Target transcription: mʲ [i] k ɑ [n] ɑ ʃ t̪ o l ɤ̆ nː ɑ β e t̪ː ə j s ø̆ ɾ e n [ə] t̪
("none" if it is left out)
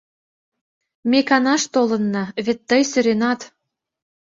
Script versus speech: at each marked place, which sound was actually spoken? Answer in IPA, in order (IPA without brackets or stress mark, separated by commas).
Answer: e, n, ɑ